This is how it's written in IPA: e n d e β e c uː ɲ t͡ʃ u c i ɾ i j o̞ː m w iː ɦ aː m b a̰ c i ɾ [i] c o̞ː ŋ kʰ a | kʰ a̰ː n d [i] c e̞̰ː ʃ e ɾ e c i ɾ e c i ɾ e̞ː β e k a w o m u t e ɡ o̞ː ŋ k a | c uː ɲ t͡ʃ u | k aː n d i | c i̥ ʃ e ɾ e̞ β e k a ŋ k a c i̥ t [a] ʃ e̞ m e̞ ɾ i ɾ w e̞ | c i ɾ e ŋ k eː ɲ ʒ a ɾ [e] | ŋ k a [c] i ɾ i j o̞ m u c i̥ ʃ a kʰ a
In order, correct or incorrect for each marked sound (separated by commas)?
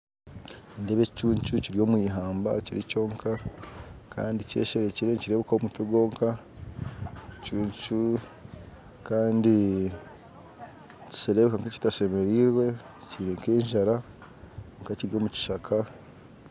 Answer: correct, correct, correct, incorrect, correct